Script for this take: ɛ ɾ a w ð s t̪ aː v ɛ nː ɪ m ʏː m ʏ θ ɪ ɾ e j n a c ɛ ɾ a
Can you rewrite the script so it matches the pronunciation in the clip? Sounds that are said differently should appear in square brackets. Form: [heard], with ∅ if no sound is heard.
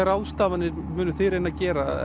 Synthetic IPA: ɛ ɾ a w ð s t̪ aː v [a] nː ɪ m ʏː [n] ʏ θ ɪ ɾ e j n a c [ɛː] ɾ a